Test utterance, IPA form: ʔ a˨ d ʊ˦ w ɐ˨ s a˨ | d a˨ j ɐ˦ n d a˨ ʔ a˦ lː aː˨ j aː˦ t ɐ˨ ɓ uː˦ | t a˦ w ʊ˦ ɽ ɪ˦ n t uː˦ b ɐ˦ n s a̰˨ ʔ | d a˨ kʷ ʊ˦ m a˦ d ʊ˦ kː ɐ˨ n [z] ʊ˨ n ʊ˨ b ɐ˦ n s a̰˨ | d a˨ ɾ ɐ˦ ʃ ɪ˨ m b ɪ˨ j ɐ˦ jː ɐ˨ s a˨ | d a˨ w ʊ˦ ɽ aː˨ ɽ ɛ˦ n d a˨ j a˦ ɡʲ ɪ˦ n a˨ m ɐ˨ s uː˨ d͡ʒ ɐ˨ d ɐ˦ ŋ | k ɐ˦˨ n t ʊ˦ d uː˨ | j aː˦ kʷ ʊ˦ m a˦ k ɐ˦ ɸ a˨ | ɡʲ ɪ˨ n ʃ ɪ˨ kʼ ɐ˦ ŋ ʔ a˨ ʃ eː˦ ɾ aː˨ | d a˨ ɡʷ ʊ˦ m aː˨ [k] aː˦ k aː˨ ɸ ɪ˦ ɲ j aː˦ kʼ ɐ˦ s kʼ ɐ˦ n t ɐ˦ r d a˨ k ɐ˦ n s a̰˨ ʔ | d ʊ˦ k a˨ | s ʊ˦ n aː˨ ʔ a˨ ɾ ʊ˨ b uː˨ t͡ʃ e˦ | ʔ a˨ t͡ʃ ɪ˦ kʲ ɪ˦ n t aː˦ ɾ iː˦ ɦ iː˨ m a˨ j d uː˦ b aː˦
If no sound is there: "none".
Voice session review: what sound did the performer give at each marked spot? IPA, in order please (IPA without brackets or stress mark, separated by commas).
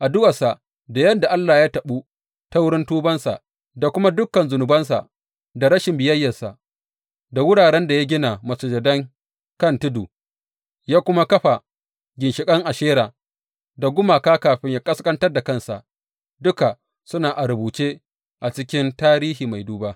z, k